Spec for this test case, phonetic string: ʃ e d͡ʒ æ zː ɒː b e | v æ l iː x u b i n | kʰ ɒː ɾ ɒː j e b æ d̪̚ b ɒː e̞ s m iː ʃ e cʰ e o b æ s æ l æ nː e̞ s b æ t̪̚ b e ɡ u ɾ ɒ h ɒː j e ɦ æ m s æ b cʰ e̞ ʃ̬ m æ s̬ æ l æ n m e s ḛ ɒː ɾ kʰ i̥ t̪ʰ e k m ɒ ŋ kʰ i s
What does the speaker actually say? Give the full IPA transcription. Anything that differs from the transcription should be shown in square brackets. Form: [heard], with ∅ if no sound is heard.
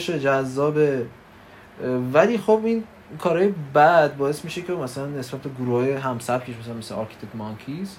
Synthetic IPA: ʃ e d͡ʒ æ zː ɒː b e | v æ l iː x [o] b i n | kʰ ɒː ɾ ɒː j e b æ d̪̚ b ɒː e̞ s m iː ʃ e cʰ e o [m] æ s æ l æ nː e̞ s b æ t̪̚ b e ɡ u ɾ [u] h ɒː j e ɦ æ m s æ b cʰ e̞ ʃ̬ m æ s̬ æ l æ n m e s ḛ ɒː ɾ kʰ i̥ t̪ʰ e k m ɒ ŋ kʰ i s